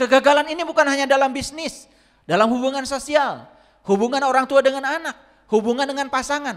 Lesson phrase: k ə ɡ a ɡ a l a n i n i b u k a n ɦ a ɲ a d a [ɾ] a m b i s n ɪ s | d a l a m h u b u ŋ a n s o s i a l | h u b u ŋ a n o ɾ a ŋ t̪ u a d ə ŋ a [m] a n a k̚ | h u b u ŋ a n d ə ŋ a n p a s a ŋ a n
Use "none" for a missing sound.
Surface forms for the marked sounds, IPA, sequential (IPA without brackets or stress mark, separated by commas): l, n